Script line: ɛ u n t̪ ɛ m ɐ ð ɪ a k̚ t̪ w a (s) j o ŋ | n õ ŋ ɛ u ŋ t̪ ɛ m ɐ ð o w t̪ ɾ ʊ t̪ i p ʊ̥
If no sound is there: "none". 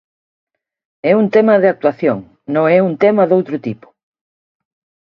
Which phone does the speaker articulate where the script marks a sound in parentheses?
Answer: θ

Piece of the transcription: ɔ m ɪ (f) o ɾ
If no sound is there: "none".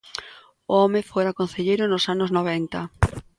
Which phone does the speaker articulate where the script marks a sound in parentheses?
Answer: f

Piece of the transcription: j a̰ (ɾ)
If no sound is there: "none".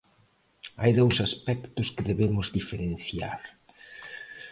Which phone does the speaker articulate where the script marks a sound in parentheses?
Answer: ɾ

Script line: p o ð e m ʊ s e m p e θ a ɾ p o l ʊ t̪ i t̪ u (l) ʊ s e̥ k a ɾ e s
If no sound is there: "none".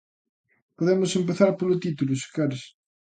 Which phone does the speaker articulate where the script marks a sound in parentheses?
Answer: l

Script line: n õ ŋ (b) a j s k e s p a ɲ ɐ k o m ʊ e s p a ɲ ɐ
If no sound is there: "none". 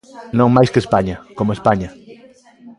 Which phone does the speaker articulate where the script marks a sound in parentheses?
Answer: m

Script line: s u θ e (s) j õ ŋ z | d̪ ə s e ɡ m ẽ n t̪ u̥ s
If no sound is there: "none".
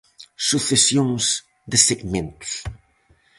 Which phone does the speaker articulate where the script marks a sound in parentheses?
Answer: s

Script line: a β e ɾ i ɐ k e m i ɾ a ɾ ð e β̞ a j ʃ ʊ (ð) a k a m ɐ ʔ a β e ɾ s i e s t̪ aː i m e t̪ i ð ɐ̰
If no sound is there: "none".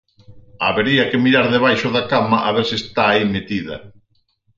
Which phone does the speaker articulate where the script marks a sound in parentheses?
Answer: ð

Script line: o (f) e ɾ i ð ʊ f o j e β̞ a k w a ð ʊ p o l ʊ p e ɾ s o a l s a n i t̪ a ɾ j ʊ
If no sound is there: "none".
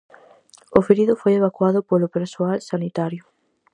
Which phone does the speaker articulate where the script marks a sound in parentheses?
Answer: f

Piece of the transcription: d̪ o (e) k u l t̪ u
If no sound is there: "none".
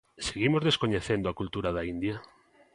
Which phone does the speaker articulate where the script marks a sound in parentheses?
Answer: a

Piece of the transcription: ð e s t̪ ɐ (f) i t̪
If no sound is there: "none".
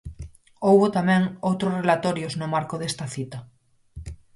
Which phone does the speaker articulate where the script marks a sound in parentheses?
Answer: θ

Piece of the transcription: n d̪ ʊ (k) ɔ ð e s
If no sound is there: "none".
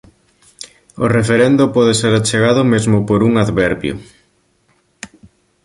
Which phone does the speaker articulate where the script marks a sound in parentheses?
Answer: p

